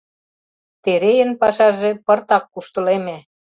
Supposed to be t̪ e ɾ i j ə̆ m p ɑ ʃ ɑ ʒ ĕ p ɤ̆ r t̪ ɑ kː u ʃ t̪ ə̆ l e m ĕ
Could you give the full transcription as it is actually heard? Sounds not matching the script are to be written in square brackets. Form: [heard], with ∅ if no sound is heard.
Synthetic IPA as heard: t̪ e ɾ [e] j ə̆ [n] p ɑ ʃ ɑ ʒ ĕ p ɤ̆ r t̪ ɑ kː u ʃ t̪ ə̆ l e m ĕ